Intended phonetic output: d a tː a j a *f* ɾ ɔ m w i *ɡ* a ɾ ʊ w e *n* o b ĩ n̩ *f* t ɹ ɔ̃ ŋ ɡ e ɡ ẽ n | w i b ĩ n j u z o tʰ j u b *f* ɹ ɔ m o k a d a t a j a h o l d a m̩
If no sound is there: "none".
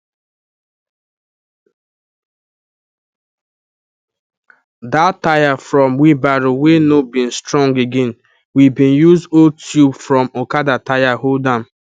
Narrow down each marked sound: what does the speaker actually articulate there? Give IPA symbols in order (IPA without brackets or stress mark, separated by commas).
f, b, n, s, f